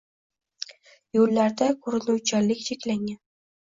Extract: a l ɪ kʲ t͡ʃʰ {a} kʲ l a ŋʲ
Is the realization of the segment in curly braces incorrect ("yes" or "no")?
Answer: yes